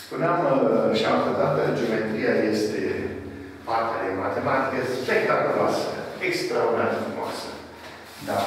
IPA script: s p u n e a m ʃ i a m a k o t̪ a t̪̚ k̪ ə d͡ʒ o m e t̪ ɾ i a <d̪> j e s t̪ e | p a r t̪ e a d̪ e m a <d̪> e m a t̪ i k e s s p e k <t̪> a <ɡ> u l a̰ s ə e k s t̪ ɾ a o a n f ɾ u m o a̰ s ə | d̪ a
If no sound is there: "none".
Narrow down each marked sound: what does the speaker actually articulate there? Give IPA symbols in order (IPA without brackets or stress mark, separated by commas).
none, t̪, t̪, k